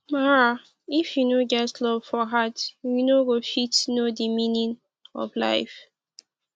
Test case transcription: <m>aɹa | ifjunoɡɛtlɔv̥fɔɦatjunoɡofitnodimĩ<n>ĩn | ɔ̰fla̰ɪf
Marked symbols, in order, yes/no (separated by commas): yes, yes